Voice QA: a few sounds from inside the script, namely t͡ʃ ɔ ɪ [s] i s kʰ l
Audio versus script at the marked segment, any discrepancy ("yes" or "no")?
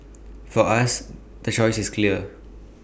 no